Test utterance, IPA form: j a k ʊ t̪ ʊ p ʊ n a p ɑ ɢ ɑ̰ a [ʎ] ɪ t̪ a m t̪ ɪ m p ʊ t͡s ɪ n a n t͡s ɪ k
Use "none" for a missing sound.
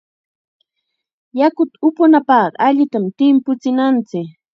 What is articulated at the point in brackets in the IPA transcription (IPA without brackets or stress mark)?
ʎ